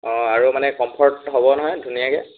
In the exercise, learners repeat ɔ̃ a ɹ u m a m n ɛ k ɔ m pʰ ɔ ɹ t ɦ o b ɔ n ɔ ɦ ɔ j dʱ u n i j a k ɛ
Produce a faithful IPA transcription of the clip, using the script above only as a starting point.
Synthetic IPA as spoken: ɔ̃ a ɹ u m a n ɛ k ɔ m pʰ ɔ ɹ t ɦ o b ɔ n ɔ ɦ ɔ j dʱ u n i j a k ɛ